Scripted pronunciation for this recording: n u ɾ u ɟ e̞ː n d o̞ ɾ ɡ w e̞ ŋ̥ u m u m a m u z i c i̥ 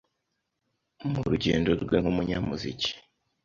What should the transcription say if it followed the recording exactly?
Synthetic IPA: m u ɾ u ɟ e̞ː n d o̞ ɾ ɡ w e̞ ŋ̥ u m u ɲ a m u z i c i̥